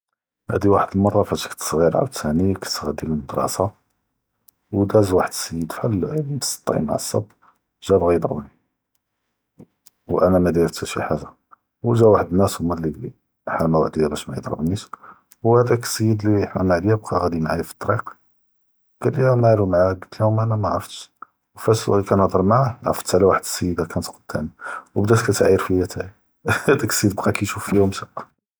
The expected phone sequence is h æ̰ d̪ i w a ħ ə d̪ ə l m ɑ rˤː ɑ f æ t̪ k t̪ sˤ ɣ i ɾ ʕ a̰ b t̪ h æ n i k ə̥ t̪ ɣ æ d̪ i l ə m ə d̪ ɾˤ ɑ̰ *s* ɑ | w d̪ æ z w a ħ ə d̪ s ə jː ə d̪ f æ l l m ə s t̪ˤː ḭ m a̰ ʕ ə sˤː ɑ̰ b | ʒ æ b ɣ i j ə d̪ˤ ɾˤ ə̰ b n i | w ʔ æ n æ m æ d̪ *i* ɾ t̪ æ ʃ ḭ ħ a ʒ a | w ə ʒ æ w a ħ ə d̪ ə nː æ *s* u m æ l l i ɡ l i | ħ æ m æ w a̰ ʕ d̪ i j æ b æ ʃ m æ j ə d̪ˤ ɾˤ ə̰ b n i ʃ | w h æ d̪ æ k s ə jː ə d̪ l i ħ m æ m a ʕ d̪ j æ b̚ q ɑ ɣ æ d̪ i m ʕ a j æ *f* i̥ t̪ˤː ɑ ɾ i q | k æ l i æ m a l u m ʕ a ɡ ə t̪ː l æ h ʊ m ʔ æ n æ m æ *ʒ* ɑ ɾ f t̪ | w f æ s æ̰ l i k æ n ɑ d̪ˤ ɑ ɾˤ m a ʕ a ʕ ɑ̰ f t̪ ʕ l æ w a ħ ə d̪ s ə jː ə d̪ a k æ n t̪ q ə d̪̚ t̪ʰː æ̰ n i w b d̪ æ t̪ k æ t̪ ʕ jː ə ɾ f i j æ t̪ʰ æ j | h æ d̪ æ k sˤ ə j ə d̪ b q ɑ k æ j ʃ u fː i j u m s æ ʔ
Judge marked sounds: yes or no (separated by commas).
yes, yes, yes, yes, no